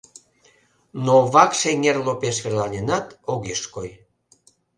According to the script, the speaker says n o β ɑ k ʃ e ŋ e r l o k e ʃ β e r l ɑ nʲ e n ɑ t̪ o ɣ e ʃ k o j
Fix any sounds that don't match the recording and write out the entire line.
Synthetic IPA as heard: n o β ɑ k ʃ e ŋ e r l o p e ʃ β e r l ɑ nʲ e n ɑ t̪ o ɣ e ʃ k o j